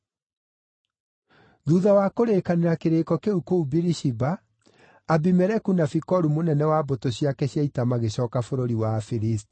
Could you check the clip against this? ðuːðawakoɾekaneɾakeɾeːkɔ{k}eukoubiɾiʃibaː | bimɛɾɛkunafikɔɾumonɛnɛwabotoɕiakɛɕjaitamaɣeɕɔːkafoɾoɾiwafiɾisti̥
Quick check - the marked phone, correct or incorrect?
correct